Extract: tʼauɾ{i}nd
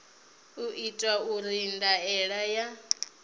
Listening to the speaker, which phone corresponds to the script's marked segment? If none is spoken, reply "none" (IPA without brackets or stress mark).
i